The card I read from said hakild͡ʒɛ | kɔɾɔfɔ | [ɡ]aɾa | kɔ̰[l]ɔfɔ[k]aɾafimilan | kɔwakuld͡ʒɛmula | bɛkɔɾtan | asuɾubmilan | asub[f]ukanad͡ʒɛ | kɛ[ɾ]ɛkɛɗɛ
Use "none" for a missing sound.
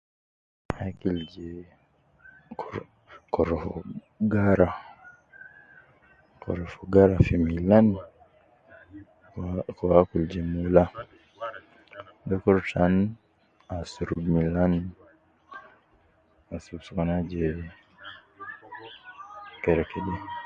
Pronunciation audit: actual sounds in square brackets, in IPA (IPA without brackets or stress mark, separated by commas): ɡ, ɾ, ɡ, s, ɾ